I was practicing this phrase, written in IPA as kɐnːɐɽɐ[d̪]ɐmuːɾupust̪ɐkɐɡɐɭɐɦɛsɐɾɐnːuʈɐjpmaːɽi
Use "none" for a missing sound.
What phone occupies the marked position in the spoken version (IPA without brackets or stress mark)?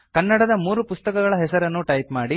d̪